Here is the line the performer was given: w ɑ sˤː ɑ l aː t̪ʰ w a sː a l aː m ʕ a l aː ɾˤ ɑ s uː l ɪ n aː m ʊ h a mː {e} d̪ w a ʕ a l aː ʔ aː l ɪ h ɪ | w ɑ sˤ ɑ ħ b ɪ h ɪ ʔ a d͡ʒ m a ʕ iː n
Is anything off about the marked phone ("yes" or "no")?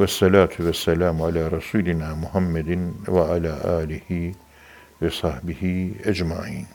yes